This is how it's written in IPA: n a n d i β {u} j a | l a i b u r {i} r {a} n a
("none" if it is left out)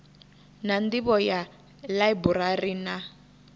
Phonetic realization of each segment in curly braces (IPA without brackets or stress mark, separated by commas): ɔ, a, i